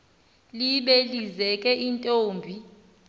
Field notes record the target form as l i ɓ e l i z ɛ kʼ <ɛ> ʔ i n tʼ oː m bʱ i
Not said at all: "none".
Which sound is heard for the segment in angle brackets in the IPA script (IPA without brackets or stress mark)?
ɛ